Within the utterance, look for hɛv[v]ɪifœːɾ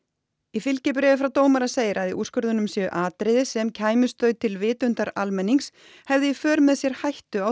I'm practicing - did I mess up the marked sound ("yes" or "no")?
yes